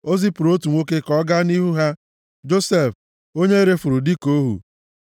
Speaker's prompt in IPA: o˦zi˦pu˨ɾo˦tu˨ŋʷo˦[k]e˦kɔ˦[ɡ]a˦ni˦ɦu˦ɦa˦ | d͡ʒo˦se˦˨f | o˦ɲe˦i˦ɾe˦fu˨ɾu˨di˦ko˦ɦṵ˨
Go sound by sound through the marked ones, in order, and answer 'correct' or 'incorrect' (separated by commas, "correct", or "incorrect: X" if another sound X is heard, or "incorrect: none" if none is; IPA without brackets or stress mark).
correct, correct